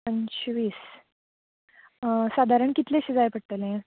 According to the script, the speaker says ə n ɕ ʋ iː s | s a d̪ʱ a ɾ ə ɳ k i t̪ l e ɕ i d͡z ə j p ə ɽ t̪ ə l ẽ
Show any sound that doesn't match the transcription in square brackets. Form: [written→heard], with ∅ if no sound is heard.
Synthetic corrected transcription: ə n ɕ ʋ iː s | s a d̪ʱ a ɾ ə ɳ k i t̪ l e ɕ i d͡z [ə→a] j p ə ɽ t̪ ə l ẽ